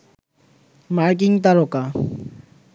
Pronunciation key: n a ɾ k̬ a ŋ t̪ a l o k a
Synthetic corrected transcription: m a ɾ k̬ i ŋ t̪ a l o k a